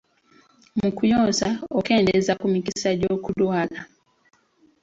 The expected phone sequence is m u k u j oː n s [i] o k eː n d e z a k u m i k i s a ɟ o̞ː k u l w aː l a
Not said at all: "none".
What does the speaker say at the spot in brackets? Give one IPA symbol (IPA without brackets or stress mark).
a